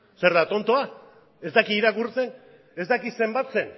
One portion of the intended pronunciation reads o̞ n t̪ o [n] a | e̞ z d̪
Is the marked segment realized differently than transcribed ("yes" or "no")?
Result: yes